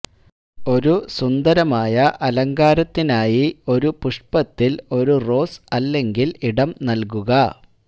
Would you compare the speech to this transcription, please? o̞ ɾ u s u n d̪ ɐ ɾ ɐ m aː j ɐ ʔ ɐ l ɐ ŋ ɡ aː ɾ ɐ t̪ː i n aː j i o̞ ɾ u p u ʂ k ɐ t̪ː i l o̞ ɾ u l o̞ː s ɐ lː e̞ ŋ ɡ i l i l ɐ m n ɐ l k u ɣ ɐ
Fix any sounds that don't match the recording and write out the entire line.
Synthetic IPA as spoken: o̞ ɾ u s u n d̪ ɐ ɾ ɐ m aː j ɐ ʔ ɐ l ɐ ŋ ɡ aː ɾ ɐ t̪ː i n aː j i o̞ ɾ u p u ʂ p ɐ t̪ː i l o̞ ɾ u r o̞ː s ɐ lː e̞ ŋ ɡ i l i ɽ ɐ m n ɐ l k u ɣ ɐ